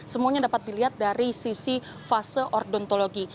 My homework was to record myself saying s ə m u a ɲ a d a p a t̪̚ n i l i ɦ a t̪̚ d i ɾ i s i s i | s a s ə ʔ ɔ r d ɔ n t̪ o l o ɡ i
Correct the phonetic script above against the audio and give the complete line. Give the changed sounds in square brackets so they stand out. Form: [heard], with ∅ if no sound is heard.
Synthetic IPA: s ə m u a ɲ a d a p a t̪̚ [d] i l i ɦ a t̪̚ d [a] ɾ i s i s i | [f] a s ə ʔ ɔ r d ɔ n t̪ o l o ɡ i

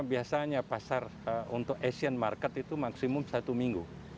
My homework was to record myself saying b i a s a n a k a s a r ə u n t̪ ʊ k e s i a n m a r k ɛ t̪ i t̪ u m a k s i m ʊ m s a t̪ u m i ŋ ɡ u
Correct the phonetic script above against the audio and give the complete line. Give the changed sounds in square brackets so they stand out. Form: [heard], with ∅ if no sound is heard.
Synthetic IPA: b i a s a [ɲ] a [p] a s a r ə u n t̪ ʊ k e s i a n m a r k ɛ t̪ i t̪ u m a k s i m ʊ m s a t̪ u m i ŋ ɡ u

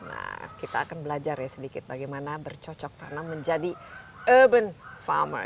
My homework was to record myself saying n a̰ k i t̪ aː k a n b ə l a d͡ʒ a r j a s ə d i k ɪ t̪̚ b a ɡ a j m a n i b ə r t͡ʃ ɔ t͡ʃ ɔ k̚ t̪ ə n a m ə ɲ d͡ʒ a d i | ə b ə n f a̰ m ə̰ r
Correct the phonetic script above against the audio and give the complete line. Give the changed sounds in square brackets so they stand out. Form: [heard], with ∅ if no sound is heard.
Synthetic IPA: n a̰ k i t̪ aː k a n b ə l a d͡ʒ a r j a s ə d i k ɪ t̪̚ b a ɡ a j m a n [a] b ə r t͡ʃ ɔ t͡ʃ ɔ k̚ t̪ [a] n a m ə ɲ d͡ʒ a d i | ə b ə n f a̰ m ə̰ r

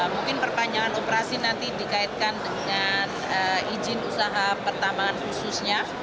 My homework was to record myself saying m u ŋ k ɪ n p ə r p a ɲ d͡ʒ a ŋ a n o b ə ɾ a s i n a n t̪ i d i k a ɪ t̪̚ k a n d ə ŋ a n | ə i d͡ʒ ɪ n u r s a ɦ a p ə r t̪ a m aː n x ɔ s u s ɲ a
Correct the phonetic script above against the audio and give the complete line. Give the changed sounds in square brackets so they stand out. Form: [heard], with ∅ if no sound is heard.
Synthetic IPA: m u ŋ k ɪ n p ə r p a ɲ d͡ʒ a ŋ a n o [p] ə ɾ a s i n a n t̪ i d i k a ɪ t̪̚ k a n d ə ŋ a n | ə i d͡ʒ ɪ n u [∅] s a ɦ a p ə r t̪ a m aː n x [u] s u s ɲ a

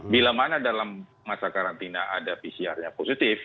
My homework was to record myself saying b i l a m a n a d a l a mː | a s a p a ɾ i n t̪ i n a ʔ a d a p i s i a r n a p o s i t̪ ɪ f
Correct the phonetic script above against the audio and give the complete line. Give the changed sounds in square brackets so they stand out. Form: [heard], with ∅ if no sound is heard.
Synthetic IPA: b i l a m a n a d a l a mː | a s a [k] a ɾ [a] n t̪ i n a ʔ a d a p i s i a r [ɲ] a p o s i t̪ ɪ f

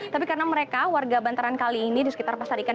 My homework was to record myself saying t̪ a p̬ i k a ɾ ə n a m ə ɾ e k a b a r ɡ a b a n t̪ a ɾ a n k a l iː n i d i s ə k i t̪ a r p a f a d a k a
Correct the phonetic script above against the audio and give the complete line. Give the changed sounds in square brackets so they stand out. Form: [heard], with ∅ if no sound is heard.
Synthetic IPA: t̪ a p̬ i k a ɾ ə n a m ə ɾ e k a [w] a r ɡ a b a n t̪ a ɾ a n k a l iː n i d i s ə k i t̪ a r p a [s] a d [i] k a

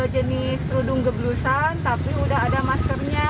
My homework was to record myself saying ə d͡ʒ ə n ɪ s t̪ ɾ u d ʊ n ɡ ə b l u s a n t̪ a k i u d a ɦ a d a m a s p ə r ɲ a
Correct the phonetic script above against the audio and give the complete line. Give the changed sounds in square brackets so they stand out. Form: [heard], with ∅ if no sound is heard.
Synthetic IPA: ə d͡ʒ ə n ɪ s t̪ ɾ u d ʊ [ŋ] ɡ ə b l u s a n t̪ a [p] i u d a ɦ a d a m a s [k] ə r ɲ a

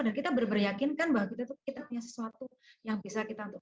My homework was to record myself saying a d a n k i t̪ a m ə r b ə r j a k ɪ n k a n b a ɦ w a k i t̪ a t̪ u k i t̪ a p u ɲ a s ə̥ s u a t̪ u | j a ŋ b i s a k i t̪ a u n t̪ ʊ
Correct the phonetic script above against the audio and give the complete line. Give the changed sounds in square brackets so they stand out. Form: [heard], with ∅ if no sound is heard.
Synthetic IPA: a d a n k i t̪ a [b] ə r b ə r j a k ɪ n k a n b a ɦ w a k i t̪ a t̪ u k i t̪ a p u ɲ a s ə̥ s u a t̪ u | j a ŋ b i s a k i t̪ a u n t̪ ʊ

